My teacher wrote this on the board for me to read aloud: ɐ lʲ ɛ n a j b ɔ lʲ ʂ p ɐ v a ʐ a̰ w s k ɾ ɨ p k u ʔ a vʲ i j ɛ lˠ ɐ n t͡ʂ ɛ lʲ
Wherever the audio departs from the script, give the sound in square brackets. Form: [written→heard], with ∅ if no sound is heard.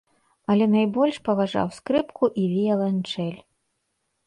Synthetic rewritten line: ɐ lʲ ɛ n a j b ɔ lʲ ʂ p ɐ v a ʐ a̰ w s k ɾ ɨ p k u ʔ [a→i] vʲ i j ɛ lˠ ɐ n t͡ʂ ɛ lʲ